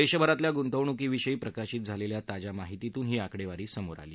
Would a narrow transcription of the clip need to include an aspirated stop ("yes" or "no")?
no